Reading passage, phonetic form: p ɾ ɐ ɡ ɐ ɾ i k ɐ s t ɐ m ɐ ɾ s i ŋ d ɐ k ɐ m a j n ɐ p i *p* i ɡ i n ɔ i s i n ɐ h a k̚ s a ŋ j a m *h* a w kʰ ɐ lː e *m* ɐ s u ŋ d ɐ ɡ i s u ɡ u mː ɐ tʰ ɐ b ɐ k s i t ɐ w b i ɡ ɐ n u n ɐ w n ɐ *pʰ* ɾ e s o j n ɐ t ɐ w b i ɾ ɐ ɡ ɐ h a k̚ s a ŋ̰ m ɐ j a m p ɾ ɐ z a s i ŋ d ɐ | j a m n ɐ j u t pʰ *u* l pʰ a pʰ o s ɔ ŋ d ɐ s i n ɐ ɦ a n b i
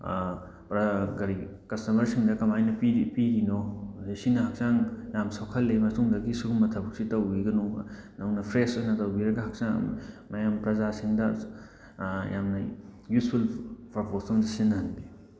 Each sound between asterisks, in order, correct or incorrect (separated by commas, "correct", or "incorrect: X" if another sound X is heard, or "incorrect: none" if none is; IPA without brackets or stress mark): correct, incorrect: s, correct, correct, correct